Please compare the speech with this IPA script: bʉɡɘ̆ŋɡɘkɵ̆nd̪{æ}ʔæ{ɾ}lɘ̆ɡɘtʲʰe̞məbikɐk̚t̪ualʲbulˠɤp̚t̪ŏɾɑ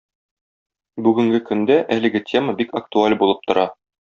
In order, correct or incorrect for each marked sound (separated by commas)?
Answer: correct, incorrect